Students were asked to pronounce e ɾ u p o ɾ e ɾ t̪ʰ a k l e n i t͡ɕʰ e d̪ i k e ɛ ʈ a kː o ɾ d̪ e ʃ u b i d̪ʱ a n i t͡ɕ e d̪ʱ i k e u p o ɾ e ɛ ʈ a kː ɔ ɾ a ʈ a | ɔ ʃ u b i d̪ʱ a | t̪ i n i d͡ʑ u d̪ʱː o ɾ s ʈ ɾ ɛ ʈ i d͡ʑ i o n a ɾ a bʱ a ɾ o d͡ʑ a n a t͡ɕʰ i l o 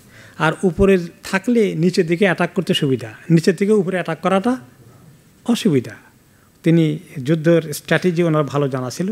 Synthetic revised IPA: a ɾ u p o ɾ e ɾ t̪ʰ a k l e n i t͡ɕ e d̪ i k e ɛ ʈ a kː o ɾ t̪ e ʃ u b i d̪ʱ a n i t͡ɕ e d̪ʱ i k e u p o ɾ e ɛ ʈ a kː ɔ ɾ a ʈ a | ɔ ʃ u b i d̪ʱ a | t̪ i n i d͡ʑ u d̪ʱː o ɾ s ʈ ɾ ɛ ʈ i d͡ʑ i o n a ɾ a bʱ a l o d͡ʑ a n a t͡ɕʰ i l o